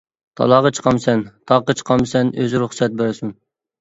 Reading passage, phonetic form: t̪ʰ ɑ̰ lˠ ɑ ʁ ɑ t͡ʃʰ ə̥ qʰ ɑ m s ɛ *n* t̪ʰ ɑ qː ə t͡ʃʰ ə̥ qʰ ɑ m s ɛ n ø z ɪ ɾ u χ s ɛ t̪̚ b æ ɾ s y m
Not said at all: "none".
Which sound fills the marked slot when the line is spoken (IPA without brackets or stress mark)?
n